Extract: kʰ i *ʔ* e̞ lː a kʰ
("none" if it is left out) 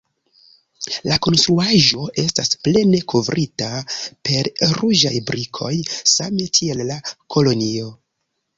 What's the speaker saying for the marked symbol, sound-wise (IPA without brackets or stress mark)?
none